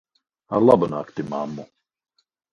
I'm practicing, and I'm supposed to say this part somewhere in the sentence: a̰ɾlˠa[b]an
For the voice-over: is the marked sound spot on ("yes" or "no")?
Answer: yes